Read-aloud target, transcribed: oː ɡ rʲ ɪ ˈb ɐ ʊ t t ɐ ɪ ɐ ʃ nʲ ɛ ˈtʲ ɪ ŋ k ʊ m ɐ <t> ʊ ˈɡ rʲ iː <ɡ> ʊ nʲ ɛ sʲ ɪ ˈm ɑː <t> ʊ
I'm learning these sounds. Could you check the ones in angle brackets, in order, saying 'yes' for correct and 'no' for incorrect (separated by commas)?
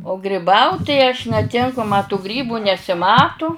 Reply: yes, no, yes